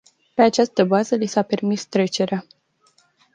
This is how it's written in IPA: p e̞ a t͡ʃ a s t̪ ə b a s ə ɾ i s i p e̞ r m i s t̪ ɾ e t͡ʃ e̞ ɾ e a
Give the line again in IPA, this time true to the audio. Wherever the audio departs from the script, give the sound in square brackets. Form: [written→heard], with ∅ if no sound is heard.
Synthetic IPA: p e̞ a t͡ʃ a s t̪ ə b a [s→z] ə [ɾ→l] i s [i→a] p e̞ r m i s t̪ ɾ e t͡ʃ e̞ ɾ e a